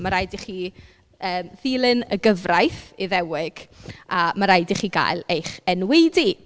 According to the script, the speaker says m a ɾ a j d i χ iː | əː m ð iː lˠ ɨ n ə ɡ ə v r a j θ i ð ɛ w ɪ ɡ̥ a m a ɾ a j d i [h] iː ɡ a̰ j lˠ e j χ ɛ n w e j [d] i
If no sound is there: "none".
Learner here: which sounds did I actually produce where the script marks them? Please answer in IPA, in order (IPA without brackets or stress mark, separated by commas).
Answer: χ, d